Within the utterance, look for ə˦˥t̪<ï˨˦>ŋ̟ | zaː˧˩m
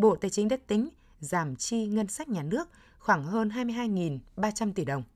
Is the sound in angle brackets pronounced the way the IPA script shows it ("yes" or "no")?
yes